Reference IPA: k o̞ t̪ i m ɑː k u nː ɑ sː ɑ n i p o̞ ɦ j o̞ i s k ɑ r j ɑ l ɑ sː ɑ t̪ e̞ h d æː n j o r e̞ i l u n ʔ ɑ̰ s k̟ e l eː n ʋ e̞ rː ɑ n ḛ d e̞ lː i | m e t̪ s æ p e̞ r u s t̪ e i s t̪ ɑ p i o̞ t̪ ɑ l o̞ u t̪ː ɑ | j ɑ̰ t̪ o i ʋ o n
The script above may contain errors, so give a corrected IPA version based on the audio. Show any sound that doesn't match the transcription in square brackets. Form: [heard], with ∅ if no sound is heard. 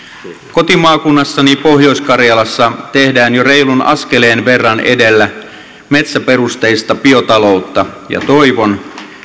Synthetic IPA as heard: k o̞ t̪ i m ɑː k u nː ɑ sː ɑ n i p o̞ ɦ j o̞ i s k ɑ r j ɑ l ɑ sː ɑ t̪ e̞ h d æː n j o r e̞ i l u n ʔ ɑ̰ s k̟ e l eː n ʋ e̞ rː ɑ n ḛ d e̞ lː [æ] | m e t̪ s æ p e̞ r u s t̪ e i s t̪ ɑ p i o̞ t̪ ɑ l o̞ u t̪ː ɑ | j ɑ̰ t̪ o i ʋ o n